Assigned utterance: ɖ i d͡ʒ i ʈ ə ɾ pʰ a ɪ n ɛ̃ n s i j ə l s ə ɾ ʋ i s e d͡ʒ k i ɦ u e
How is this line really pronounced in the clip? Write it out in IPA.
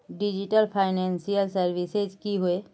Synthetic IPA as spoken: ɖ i d͡ʒ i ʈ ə l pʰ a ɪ n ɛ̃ n s i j ə l s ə ɾ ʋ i s e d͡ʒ k i ɦ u e